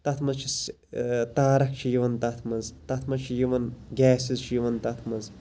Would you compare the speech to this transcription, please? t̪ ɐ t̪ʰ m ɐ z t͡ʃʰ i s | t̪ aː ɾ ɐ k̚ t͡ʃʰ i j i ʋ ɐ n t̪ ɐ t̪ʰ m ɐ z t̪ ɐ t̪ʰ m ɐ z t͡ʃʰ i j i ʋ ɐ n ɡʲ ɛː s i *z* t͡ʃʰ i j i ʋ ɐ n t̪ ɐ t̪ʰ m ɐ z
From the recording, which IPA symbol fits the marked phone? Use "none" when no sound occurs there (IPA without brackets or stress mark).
z